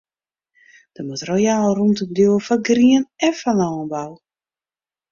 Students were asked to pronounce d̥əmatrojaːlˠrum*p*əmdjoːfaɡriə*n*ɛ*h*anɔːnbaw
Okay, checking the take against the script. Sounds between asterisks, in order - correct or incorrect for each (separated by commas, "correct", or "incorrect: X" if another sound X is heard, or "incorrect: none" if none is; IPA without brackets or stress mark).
incorrect: t, correct, incorrect: f